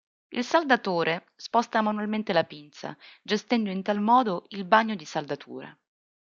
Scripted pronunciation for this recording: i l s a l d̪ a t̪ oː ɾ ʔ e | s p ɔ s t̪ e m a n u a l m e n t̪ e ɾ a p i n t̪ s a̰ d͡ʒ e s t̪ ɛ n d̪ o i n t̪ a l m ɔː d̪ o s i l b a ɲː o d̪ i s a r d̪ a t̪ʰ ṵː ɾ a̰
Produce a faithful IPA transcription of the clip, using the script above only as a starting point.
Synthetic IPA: i l s a l d̪ a t̪ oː ɾ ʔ e | s p ɔ s t̪ a m a n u a l m e n t̪ e l a p i n t̪ s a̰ d͡ʒ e s t̪ ɛ n d̪ o i n t̪ a l m ɔː d̪ o i l b a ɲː o d̪ i s a l d̪ a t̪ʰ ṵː ɾ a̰